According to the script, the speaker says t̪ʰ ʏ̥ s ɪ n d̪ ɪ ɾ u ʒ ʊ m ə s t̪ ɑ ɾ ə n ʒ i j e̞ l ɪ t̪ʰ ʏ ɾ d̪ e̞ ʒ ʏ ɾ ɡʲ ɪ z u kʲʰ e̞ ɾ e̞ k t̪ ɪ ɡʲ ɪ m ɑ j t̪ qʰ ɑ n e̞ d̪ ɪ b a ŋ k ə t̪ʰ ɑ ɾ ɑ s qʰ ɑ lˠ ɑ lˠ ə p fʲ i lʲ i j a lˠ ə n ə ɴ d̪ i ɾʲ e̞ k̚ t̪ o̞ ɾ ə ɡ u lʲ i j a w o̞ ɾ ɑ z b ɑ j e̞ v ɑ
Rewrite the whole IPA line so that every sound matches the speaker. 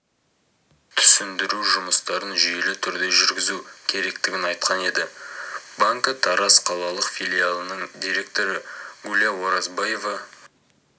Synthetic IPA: t̪ʰ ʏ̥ s ɪ n d̪ ɪ ɾ u ʒ ʊ m ə s t̪ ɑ ɾ ə n ʒ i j e̞ l ɪ t̪ʰ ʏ ɾ d̪ e̞ ʒ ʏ ɾ ɡʲ ɪ z u kʲʰ e̞ ɾ e̞ k t̪ ɪ ɡʲ ɪ n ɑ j t̪ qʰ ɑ n e̞ d̪ ɪ b a ŋ k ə t̪ʰ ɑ ɾ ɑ s qʰ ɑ lˠ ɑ lˠ ə q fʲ i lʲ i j a lˠ ə n ə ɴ d̪ i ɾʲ e̞ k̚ t̪ o̞ ɾ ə ɡ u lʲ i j a w o̞ ɾ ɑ z b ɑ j e̞ v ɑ